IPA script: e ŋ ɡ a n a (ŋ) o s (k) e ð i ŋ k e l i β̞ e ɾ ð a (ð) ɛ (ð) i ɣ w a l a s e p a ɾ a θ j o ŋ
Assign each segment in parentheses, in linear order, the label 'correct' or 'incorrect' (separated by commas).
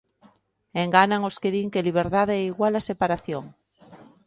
correct, correct, correct, incorrect